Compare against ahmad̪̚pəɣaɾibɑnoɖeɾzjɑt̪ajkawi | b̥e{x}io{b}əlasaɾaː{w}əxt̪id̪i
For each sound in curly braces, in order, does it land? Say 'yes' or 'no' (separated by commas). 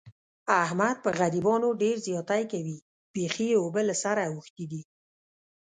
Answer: yes, yes, yes